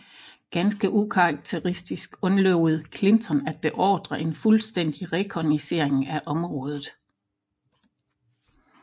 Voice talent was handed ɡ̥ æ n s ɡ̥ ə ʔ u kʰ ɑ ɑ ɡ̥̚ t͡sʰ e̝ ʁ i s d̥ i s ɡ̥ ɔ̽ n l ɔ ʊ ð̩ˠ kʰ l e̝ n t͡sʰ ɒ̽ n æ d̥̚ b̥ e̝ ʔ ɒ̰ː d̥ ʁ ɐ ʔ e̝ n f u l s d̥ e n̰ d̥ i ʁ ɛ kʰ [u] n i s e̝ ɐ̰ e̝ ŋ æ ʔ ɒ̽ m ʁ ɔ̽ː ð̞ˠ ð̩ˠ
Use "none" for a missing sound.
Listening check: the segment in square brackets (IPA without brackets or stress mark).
ɒ